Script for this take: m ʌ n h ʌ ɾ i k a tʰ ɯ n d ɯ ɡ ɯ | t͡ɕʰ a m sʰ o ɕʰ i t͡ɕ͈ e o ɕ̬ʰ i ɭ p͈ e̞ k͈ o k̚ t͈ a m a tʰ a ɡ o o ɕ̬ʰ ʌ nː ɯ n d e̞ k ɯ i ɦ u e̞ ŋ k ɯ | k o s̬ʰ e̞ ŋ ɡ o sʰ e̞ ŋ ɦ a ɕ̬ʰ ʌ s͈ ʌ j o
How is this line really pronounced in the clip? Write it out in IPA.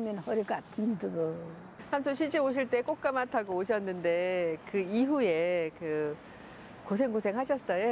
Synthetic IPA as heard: m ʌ n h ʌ ɾ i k a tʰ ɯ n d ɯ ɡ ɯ | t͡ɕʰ a m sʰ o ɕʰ i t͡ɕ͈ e o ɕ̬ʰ i ɭ t͈ e̞ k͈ o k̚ k͈ a m a tʰ a ɡ o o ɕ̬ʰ ʌ nː ɯ n d e̞ k ɯ i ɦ u e̞ k ɯ | k o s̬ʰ e̞ ŋ ɡ o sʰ e̞ ŋ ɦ a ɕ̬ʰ ʌ s͈ ʌ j o